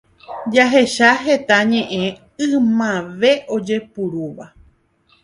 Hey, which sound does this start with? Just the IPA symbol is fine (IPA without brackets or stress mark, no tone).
d͡ʒ